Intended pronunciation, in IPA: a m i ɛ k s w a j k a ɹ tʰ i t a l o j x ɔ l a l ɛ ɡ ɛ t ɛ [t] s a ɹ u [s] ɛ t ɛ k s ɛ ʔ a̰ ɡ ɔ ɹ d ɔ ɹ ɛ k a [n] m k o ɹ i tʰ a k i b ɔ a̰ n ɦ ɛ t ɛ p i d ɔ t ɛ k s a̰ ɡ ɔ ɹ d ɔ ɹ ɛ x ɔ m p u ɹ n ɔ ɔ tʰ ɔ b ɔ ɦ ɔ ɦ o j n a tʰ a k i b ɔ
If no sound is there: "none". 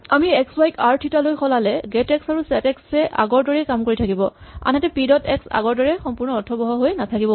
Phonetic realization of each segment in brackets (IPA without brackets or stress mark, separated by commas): k, s, none